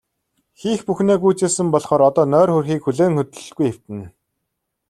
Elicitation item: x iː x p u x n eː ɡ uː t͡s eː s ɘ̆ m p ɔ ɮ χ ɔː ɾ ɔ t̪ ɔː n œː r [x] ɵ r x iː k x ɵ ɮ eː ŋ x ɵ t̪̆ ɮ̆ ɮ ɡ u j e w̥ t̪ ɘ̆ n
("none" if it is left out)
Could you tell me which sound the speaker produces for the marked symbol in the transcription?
x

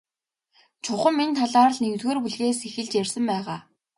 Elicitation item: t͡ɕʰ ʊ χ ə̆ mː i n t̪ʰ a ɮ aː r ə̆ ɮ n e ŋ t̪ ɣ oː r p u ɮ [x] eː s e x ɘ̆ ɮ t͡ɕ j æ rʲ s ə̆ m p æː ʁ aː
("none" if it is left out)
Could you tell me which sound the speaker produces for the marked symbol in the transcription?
ɣ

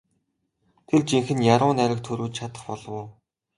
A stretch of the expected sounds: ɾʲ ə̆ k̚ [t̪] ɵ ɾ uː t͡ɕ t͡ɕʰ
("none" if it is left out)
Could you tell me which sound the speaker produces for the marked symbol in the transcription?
t̪ʰ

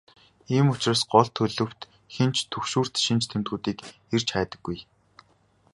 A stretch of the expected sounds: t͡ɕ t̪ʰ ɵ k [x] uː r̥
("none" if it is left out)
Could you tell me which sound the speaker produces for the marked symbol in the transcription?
ʃ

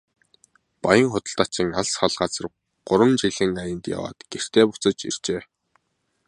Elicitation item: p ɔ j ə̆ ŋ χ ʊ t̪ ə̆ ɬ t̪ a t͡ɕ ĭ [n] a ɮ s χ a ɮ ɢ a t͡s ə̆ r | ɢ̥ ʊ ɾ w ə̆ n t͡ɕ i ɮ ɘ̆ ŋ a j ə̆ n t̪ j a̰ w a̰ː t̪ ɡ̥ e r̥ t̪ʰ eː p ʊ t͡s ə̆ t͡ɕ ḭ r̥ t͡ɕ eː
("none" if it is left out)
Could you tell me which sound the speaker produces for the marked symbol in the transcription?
ŋ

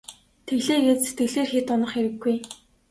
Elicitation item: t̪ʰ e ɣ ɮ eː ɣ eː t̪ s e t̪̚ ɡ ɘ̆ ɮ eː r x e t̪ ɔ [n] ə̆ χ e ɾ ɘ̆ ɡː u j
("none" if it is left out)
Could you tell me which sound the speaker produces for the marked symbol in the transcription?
n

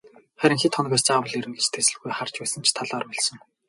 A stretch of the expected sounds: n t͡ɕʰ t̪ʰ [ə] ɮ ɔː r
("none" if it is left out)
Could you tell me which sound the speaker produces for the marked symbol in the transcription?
a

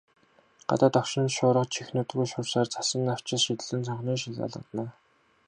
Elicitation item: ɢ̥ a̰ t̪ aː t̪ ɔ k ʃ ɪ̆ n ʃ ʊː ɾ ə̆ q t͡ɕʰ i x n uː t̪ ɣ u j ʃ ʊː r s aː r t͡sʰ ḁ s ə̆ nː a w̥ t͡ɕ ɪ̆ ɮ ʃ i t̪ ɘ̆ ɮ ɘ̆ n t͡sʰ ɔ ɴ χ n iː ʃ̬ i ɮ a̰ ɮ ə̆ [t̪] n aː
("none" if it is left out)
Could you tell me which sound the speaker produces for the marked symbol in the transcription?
t̪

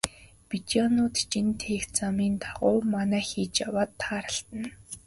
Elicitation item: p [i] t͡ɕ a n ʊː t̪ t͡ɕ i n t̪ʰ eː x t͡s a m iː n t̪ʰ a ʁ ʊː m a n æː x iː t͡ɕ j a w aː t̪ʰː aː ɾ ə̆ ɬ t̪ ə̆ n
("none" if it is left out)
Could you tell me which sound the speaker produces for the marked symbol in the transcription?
i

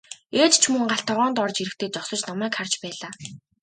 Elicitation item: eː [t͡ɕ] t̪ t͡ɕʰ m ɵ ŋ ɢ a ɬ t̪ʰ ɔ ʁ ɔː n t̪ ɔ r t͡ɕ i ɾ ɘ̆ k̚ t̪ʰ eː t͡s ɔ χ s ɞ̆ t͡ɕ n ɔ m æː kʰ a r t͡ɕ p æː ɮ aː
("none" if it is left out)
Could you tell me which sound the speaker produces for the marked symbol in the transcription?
none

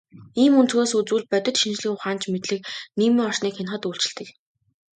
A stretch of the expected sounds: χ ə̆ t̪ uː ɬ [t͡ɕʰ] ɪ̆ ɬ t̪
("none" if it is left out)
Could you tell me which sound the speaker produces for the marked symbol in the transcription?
t͡ɕ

